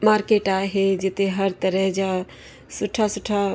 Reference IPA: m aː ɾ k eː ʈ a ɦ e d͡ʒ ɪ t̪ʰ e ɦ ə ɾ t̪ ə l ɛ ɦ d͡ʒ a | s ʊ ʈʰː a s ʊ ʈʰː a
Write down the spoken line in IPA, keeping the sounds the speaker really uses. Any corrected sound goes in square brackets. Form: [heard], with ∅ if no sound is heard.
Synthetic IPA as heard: m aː ɾ k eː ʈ a ɦ e d͡ʒ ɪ [t̪] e ɦ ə ɾ t̪ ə [ɾ] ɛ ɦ d͡ʒ a | s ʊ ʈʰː a s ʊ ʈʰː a